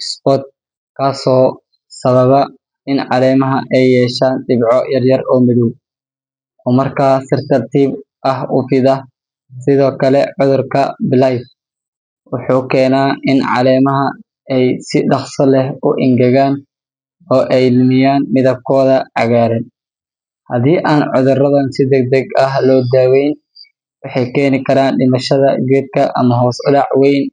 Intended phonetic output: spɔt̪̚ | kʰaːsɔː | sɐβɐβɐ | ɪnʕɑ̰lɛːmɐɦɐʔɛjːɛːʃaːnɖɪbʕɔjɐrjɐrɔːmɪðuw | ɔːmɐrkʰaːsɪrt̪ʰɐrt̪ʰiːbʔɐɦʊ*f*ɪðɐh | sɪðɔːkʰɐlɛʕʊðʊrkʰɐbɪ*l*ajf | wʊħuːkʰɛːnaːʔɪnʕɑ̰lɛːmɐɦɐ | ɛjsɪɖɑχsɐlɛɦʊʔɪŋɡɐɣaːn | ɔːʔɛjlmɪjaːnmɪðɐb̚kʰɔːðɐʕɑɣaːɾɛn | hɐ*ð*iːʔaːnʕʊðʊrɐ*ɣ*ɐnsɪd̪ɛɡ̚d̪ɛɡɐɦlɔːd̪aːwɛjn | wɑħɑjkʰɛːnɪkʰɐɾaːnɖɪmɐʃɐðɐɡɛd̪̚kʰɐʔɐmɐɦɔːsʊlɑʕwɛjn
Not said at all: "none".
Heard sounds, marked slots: f, l, ð, ð

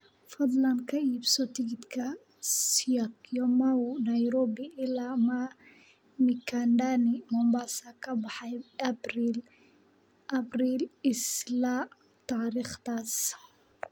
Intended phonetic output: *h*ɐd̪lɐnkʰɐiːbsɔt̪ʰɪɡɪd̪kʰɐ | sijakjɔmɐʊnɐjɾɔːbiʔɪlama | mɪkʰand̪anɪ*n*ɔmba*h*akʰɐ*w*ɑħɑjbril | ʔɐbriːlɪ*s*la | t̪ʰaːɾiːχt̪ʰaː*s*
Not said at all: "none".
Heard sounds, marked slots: f, m, s, b, s, s

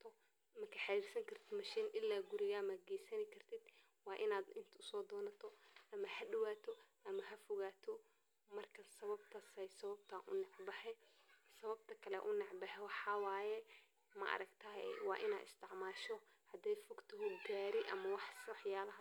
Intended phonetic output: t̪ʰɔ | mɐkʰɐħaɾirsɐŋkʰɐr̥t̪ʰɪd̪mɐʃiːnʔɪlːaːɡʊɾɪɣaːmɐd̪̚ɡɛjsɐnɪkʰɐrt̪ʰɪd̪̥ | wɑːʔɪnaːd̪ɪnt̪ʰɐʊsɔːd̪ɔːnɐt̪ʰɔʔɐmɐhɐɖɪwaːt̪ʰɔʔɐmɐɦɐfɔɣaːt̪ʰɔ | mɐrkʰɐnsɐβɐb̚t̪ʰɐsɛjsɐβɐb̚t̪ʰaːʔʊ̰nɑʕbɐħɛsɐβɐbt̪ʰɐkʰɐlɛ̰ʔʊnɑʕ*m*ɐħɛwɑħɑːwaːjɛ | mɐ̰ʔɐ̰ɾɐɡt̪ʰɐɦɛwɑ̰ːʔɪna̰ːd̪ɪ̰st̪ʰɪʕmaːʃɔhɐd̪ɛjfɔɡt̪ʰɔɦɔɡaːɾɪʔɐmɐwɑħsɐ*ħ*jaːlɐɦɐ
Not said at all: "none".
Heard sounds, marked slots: b, ħ

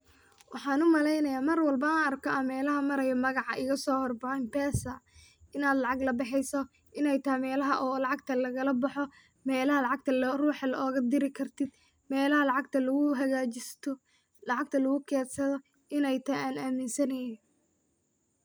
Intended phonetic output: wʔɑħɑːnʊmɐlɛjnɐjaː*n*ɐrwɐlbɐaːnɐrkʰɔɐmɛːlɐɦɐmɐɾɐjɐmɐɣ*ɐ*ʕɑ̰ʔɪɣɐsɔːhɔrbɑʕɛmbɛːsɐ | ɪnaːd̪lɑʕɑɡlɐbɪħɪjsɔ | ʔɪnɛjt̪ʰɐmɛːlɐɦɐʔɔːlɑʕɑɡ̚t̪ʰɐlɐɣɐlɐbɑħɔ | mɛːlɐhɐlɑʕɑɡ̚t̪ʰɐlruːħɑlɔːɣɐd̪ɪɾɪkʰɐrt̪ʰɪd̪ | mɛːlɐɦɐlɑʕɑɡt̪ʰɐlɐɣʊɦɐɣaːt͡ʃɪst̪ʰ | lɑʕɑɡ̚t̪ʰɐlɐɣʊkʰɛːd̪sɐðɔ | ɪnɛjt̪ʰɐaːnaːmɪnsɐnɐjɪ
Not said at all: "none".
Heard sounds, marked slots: m, ɑ

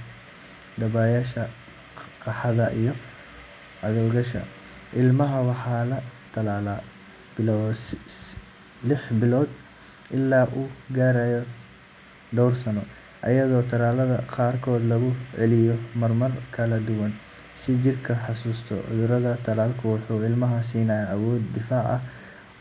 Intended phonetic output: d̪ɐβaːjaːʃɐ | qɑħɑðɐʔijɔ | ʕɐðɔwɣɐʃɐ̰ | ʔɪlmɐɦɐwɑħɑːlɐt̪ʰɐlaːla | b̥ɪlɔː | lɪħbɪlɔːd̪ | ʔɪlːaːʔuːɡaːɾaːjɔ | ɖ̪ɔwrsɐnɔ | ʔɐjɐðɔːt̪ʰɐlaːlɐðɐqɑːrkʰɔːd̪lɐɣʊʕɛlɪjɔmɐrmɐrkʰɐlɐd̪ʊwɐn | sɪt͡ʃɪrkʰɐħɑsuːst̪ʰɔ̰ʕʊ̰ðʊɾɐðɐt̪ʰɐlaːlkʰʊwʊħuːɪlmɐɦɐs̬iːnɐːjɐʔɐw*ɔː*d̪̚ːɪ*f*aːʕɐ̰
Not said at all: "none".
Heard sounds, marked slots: ɔː, f

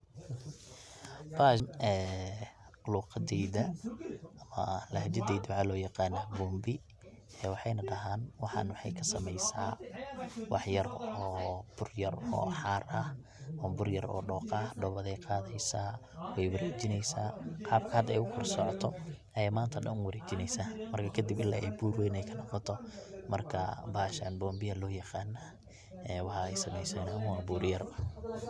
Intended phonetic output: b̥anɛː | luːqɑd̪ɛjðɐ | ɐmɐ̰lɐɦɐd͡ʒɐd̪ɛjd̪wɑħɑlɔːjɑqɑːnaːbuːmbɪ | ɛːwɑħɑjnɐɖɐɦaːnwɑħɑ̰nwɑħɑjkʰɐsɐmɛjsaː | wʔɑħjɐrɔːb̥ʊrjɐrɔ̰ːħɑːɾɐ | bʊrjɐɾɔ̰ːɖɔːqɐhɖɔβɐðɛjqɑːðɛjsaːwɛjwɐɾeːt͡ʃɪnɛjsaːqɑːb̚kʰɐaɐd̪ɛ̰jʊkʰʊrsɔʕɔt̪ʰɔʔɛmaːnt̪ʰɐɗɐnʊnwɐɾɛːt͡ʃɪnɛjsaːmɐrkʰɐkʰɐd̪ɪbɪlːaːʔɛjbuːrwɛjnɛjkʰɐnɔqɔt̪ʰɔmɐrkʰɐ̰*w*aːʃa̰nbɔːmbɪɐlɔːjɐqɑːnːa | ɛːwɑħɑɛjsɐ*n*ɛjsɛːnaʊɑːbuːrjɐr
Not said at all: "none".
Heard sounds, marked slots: b, m

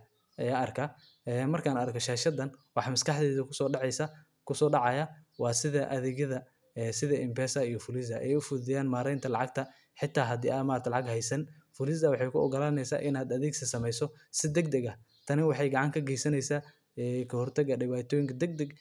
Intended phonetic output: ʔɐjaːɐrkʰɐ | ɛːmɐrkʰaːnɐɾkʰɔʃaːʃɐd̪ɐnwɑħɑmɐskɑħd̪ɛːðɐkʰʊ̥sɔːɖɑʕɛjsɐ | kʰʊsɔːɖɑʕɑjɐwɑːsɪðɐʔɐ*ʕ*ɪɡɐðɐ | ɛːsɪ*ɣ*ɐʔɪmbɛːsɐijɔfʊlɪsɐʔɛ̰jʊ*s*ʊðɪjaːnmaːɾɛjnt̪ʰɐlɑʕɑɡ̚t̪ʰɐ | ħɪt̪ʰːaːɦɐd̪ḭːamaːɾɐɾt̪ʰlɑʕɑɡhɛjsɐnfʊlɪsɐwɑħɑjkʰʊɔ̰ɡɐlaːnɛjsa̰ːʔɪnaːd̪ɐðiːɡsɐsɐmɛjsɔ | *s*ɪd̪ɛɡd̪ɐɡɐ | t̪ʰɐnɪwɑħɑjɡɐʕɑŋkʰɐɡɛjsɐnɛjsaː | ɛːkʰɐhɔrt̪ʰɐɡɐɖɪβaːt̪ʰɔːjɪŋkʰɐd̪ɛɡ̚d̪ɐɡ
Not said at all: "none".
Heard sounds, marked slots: ð, ð, f, s

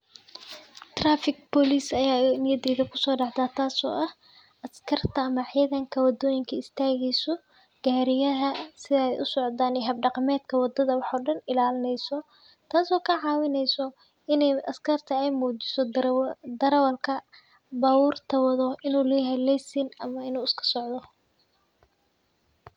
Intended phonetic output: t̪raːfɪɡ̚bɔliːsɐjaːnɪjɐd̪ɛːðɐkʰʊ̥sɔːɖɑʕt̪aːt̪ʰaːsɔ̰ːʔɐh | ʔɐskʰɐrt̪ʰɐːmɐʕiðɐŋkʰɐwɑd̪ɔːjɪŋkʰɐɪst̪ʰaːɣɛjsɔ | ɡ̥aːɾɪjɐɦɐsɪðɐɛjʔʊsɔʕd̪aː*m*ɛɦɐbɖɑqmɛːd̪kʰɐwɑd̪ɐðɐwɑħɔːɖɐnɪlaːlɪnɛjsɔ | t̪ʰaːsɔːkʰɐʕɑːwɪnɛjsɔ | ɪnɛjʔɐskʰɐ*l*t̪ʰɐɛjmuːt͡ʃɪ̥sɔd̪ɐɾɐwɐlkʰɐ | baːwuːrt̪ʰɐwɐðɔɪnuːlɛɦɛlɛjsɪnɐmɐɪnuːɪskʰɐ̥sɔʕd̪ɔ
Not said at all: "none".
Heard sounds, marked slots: n, r

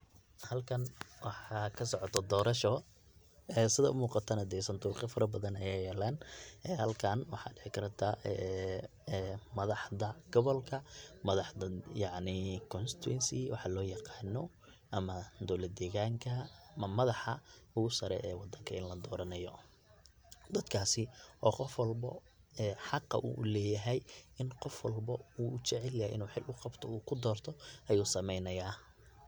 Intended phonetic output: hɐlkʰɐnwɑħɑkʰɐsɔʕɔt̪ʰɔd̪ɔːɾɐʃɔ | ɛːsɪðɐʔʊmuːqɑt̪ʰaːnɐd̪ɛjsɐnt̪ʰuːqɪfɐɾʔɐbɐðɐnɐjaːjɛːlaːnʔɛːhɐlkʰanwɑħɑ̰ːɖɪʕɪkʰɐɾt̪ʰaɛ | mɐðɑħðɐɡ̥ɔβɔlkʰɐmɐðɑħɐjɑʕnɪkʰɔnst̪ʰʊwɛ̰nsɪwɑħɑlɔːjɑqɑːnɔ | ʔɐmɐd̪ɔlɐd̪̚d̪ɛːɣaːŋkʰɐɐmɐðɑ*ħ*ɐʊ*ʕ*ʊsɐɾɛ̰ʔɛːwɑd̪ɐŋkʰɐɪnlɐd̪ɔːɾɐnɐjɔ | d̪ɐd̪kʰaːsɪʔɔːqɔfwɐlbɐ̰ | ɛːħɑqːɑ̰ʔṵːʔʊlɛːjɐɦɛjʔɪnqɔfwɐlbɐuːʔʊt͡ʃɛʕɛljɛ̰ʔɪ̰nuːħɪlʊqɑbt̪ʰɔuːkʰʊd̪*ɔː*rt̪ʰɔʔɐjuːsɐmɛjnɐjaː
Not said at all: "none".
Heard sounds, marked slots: ħ, ɣ, ɔː

